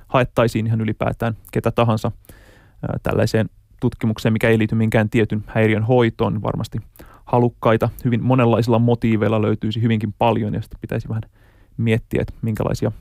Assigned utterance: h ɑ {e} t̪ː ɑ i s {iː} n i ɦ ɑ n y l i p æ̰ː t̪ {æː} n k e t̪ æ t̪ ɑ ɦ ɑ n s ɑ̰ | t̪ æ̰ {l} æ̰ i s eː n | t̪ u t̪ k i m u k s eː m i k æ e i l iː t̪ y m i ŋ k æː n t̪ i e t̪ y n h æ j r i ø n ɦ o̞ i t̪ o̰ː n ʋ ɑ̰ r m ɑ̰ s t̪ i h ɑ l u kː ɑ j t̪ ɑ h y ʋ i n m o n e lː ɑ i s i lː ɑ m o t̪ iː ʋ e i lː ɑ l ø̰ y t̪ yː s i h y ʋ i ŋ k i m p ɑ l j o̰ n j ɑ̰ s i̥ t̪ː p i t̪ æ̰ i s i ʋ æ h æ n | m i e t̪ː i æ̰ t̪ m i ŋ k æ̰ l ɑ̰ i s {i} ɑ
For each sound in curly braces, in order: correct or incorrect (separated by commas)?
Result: correct, correct, correct, incorrect, correct